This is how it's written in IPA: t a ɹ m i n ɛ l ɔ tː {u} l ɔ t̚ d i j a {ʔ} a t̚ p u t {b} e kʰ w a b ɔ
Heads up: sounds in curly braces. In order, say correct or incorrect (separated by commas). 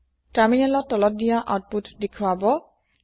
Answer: incorrect, correct, incorrect